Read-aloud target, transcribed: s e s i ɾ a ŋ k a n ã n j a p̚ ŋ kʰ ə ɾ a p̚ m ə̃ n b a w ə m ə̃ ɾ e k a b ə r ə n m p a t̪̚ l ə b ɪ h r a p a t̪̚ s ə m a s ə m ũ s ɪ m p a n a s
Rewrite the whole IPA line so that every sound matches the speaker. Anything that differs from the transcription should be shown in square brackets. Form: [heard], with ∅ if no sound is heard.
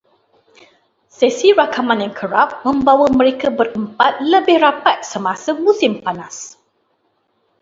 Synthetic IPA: s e s i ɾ a [∅] k a [m] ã n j a [∅] ŋ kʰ ə ɾ a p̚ m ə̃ [m] b a w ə m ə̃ ɾ e k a b ə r ə [∅] m p a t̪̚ l ə b ɪ h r a p a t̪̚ s ə m a s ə m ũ s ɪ m p a n a s